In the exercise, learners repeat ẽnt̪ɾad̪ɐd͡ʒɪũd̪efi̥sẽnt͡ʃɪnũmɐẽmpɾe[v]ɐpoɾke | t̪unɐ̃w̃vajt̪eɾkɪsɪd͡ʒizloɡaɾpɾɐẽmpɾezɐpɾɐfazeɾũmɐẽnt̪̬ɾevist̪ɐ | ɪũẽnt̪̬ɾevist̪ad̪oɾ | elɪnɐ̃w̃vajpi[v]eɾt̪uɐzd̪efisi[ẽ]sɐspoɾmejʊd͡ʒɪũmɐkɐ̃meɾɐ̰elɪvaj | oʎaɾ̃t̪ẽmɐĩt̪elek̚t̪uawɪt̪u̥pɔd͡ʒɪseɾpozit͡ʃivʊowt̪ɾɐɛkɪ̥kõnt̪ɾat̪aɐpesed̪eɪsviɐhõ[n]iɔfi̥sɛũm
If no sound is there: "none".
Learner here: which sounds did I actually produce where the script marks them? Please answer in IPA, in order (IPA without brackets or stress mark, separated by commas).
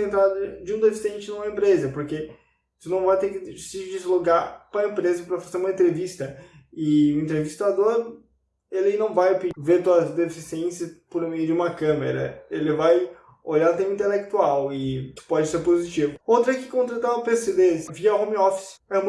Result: z, v, ẽ, m